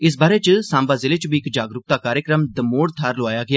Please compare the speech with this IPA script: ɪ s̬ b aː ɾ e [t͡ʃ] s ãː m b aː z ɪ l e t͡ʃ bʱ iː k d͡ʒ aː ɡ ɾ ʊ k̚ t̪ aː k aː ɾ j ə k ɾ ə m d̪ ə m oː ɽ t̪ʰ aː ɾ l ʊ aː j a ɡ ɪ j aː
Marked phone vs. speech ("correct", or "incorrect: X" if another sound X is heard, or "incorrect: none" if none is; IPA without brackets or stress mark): correct